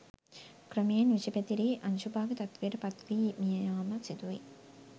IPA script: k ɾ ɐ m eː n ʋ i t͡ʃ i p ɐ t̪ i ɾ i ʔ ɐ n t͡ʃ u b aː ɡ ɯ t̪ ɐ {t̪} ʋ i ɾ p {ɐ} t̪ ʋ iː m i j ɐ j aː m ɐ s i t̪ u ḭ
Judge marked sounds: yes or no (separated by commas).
yes, yes